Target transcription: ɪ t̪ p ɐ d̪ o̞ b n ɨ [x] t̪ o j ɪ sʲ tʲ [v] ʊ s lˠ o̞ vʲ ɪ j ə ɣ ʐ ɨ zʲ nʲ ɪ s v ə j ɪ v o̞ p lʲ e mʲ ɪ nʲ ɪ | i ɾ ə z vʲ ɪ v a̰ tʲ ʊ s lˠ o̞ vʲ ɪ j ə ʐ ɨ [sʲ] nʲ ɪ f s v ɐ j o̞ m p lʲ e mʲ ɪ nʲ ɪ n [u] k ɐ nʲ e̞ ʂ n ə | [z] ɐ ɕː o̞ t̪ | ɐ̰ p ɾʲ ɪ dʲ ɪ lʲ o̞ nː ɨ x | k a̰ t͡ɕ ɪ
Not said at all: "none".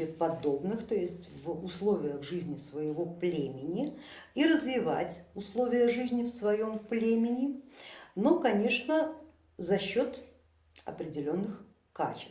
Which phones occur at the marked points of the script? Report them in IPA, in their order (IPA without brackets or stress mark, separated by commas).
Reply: x, v, zʲ, o, z